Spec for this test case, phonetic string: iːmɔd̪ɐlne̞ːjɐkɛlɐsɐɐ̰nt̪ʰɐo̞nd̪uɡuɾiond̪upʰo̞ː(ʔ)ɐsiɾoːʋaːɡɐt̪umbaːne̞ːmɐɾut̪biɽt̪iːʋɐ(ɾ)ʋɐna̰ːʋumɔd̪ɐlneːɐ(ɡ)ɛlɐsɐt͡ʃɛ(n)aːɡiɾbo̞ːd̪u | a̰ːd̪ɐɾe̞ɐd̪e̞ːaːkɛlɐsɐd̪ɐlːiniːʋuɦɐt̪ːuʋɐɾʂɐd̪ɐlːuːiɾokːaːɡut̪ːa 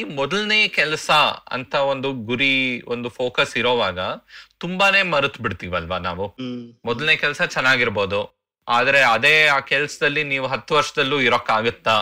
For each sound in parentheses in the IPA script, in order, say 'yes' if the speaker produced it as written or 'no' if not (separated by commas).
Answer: no, no, no, no